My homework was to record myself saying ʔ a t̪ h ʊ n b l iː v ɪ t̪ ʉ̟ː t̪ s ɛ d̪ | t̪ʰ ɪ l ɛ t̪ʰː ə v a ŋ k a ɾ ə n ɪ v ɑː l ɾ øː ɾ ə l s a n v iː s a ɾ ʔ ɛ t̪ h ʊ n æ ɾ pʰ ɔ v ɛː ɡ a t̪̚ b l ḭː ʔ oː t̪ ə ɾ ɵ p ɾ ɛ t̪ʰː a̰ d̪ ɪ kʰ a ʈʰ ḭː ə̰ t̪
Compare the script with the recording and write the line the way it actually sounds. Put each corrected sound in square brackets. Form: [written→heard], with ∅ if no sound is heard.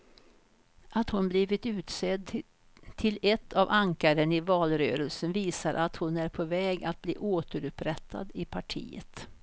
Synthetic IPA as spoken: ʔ a t̪ h ʊ n b l iː v ɪ t̪ ʉ̟ː t̪ s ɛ d̪ | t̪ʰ ɪ l ɛ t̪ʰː [ə→a] v a ŋ k a ɾ ə n ɪ v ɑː l ɾ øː ɾ ə l s [a→ə] n v iː s a ɾ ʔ [ɛ→a] t̪ h ʊ n æ ɾ pʰ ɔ v ɛː ɡ a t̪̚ b l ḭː ʔ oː t̪ ə ɾ ɵ p ɾ ɛ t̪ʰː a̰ d̪ ɪ [kʰ→pʰ] a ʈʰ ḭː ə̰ t̪